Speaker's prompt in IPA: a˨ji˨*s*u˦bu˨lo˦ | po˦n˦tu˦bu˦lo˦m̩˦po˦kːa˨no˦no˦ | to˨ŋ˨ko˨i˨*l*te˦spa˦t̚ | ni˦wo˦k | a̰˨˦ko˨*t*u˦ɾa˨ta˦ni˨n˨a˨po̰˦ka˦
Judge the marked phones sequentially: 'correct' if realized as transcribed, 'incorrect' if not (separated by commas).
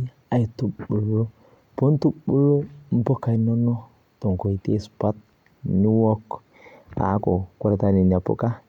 incorrect, incorrect, incorrect